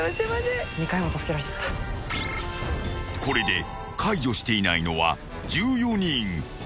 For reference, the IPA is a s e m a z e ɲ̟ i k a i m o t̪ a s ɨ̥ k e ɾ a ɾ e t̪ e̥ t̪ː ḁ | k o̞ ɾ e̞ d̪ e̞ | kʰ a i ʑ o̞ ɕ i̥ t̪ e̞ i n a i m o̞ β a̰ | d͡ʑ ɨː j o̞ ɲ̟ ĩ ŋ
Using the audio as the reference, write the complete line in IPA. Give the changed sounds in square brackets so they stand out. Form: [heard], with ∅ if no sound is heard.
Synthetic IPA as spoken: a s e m a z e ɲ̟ i k a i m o t̪ a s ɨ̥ k e ɾ a ɾ e t̪ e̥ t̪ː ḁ | k o̞ ɾ e̞ d̪ e̞ | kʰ a i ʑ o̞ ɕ i̥ t̪ e̞ i n a i [n] o̞ β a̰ | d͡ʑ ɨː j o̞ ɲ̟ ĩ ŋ